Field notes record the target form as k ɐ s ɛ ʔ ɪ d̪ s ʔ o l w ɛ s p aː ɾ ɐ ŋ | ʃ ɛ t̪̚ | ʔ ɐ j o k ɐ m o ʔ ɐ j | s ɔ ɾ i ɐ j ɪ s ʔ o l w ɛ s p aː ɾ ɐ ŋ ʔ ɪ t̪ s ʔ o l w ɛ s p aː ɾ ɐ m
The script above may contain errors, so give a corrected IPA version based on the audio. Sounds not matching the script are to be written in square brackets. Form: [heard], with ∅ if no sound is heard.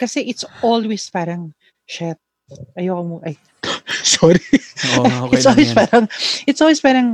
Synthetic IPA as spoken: k ɐ s ɛ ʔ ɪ [t̪] s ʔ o l w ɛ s p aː ɾ ɐ ŋ | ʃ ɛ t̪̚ | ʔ ɐ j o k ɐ m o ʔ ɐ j | s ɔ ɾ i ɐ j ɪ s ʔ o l w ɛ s p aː ɾ ɐ ŋ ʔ ɪ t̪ s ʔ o l w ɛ s p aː ɾ ɐ [ŋ]